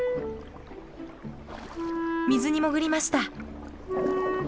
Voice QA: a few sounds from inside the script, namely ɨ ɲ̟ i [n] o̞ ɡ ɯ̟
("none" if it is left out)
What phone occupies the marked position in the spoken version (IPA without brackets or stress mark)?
m